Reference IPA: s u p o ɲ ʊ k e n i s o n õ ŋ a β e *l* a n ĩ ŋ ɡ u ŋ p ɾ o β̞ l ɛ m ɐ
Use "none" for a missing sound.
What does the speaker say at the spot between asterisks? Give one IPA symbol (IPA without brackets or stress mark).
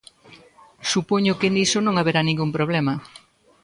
ɾ